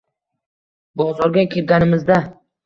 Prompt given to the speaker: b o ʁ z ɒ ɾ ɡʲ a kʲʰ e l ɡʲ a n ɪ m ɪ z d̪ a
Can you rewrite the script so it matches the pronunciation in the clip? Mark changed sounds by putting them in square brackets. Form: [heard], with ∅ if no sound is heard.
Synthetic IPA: b [ɒ] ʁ z ɒ ɾ ɡʲ a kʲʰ e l ɡʲ a n ɪ m ɪ z d̪ a